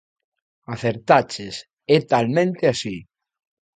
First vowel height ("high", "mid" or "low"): low